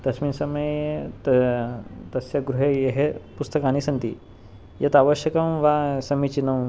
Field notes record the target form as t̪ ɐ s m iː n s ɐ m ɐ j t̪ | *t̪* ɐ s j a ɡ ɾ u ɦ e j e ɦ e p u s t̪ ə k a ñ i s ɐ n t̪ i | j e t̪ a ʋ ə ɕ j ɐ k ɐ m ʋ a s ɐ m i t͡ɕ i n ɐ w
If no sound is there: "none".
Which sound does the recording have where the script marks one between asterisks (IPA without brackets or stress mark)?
t̪